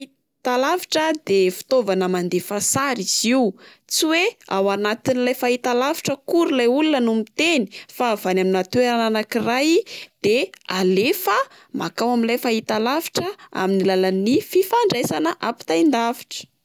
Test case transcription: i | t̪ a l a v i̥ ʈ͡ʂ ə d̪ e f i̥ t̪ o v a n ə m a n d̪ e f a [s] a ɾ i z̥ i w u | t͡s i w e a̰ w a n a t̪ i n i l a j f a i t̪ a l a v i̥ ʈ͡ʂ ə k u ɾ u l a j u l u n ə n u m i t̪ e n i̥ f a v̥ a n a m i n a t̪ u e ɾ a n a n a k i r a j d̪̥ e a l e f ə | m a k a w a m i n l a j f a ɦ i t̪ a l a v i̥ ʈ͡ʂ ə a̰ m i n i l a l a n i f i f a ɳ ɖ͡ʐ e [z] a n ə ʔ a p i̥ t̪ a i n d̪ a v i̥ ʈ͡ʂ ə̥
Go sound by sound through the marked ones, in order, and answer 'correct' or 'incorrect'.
correct, incorrect: s

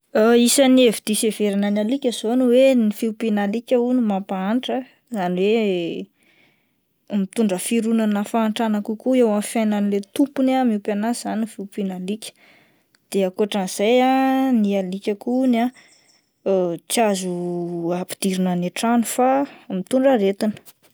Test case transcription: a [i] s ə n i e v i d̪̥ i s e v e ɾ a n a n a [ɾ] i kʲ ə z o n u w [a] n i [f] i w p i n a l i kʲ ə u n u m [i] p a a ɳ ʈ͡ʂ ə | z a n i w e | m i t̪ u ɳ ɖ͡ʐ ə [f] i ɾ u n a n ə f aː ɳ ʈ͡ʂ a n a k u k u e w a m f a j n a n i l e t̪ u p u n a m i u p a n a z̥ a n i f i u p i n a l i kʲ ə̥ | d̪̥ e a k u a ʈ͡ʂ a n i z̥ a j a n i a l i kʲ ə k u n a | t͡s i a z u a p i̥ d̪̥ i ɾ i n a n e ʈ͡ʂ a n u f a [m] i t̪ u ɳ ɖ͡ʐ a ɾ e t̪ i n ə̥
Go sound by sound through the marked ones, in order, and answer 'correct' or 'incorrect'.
correct, incorrect: l, incorrect: e, correct, incorrect: a, correct, correct

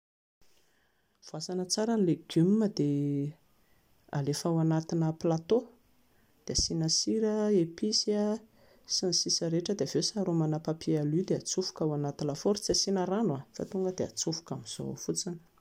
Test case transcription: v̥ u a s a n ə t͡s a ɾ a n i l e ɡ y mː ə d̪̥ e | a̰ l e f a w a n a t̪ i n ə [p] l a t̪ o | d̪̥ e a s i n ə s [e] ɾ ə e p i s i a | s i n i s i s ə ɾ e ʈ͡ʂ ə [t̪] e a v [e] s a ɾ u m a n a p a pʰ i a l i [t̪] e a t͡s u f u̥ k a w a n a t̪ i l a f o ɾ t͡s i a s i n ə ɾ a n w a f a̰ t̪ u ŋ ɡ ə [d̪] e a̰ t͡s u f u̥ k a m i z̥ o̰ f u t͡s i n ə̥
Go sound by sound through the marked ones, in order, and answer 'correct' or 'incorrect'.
correct, incorrect: i, incorrect: d̪, correct, incorrect: d̪, correct

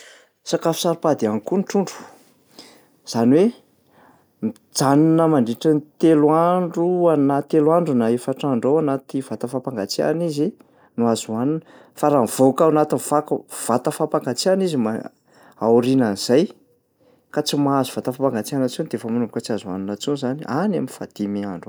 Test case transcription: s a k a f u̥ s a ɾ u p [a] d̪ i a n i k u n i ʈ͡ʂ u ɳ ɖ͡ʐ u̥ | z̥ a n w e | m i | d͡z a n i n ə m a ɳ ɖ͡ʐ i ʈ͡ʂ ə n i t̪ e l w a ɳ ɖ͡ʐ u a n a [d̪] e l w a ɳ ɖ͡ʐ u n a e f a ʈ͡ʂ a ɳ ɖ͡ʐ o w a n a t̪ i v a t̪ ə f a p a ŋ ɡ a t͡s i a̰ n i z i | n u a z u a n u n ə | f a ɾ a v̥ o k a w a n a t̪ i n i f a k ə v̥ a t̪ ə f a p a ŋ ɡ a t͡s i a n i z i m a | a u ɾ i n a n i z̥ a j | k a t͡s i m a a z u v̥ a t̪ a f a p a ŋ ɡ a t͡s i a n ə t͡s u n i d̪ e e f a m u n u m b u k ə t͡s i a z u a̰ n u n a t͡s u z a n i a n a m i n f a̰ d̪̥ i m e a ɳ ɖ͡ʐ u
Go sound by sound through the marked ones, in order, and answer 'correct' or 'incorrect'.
correct, incorrect: t̪

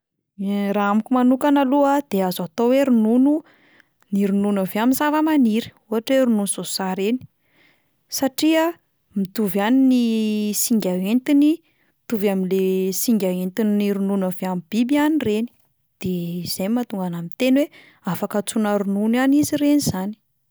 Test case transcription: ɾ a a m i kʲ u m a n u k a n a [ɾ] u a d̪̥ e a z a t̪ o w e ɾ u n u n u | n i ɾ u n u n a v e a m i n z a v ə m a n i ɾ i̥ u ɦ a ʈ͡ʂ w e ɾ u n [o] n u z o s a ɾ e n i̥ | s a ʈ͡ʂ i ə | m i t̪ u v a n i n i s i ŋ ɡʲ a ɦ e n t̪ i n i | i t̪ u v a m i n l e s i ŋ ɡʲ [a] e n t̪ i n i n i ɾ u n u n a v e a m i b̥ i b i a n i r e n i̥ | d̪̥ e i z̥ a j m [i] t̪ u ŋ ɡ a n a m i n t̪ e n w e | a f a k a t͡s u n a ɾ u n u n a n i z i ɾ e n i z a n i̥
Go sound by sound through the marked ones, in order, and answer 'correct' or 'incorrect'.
incorrect: l, incorrect: u, correct, incorrect: a

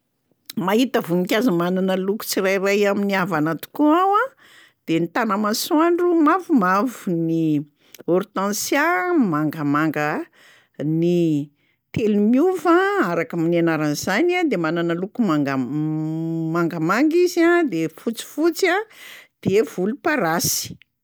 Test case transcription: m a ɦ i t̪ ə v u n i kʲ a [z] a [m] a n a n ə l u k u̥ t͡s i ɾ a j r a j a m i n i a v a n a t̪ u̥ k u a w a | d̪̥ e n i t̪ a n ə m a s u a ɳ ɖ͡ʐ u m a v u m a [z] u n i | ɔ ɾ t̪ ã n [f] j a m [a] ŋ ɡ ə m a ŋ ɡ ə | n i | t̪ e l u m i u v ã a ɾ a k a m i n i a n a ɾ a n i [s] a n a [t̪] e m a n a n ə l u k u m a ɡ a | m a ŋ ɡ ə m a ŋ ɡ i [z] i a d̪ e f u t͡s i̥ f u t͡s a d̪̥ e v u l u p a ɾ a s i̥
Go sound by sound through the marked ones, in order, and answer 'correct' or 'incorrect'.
correct, correct, incorrect: v, incorrect: s, correct, incorrect: z, incorrect: d̪, correct

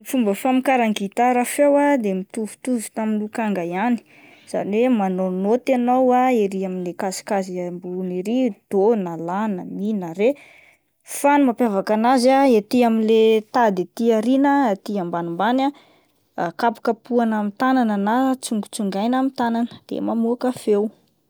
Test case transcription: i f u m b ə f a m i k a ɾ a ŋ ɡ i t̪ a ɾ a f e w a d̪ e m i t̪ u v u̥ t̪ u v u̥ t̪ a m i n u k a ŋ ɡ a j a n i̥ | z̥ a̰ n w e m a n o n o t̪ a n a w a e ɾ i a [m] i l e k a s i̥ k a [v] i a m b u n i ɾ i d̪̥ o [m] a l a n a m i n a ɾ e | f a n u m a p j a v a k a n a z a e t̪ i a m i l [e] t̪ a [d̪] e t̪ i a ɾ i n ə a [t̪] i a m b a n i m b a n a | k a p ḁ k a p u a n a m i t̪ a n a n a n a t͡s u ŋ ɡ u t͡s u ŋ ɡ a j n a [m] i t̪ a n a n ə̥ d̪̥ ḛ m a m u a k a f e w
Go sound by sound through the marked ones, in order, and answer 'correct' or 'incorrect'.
correct, incorrect: z, incorrect: n, correct, correct, correct, correct

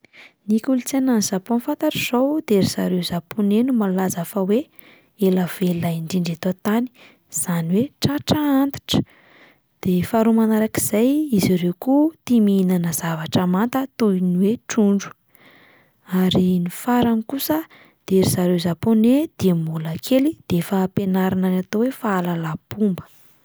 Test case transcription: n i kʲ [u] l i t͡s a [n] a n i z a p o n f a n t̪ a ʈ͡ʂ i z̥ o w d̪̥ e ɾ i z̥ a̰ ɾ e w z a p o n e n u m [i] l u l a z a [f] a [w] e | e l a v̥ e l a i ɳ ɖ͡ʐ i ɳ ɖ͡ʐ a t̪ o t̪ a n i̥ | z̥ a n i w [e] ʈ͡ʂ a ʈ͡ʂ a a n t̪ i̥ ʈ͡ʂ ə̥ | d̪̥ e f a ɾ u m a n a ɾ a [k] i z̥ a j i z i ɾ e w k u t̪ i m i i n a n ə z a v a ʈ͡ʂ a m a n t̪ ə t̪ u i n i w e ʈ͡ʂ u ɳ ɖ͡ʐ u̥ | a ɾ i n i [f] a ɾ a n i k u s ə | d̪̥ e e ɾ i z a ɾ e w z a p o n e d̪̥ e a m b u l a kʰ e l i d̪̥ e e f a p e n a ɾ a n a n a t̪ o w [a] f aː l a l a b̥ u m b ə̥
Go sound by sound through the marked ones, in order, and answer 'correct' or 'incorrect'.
correct, correct, incorrect: a, correct, correct, correct, correct, correct, incorrect: e

